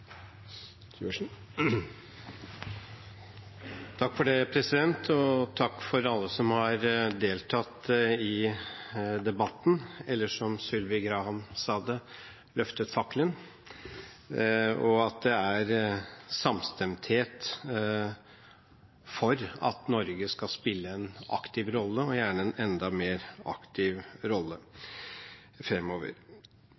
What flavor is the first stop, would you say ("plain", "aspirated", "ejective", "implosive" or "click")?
aspirated